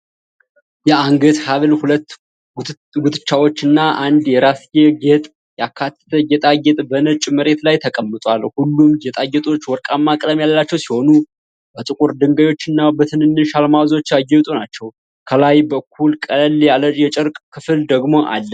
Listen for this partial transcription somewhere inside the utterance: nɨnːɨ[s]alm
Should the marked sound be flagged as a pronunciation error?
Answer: yes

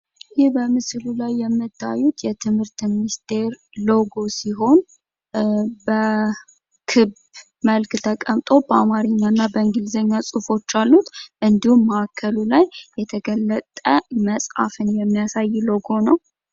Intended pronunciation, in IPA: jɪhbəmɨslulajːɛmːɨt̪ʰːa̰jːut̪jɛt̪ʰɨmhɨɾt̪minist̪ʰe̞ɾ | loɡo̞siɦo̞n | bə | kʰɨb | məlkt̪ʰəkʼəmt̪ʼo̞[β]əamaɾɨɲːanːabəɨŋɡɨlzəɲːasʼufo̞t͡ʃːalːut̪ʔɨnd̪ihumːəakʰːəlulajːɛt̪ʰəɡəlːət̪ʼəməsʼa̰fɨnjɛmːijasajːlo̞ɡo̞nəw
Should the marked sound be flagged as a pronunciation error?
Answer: yes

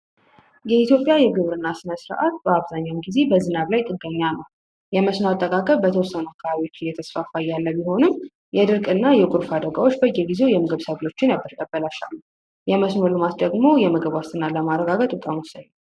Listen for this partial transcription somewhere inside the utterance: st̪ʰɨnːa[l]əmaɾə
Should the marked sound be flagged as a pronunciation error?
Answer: no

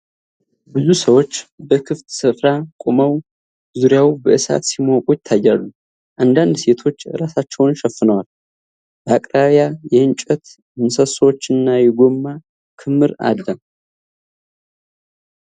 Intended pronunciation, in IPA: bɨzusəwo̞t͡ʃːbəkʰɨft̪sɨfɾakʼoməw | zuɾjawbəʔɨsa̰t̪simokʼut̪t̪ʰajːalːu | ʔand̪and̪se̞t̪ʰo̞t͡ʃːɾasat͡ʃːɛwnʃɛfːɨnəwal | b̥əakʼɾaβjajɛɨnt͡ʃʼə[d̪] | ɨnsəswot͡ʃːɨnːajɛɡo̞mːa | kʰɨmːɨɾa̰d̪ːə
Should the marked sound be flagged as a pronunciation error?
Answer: yes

